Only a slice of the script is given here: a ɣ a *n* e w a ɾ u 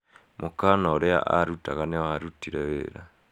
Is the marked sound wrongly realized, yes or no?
no